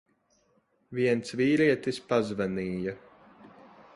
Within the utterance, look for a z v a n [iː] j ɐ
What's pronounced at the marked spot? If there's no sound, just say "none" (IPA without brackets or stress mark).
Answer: iː